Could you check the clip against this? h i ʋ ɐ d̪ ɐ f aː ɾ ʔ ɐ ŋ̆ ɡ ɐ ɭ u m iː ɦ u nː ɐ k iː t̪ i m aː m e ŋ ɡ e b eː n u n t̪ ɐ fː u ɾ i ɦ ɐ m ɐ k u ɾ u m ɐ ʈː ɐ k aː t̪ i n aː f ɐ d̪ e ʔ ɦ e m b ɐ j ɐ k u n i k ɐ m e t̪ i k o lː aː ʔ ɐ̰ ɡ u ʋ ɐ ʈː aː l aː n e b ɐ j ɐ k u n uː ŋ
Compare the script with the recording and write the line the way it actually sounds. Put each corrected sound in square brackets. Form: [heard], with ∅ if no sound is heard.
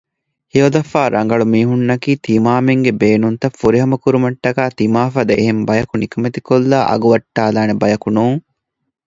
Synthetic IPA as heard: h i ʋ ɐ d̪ ɐ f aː ɾ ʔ ɐ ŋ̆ ɡ ɐ ɭ u m iː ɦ u nː ɐ k iː t̪ i m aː m e ŋ ɡ e b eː n u n t̪ ɐ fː u ɾ i ɦ ɐ m ɐ k u ɾ u m ɐ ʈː ɐ k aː t̪ i [m] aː f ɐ d̪ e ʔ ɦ e m b ɐ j ɐ k u n i k ɐ m e t̪ i k o lː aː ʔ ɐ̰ ɡ u ʋ ɐ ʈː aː l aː n e b ɐ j ɐ k u n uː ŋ